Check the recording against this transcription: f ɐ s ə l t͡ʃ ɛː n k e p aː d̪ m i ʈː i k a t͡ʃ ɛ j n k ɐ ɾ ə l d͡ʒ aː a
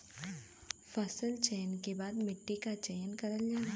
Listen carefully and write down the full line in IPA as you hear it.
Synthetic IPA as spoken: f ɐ s ə l t͡ʃ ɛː n k e b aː d̪ m ɪ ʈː i k a t͡ʃ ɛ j n k ɐ ɾ ə l d͡ʒ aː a